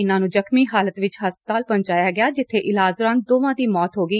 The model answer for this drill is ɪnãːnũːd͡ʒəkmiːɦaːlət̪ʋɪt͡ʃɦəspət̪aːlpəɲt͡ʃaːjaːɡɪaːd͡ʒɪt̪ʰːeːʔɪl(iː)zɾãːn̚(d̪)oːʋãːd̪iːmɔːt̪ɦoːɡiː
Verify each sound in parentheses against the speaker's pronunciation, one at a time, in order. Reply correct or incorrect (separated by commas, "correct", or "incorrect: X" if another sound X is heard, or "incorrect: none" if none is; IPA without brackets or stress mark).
incorrect: aː, correct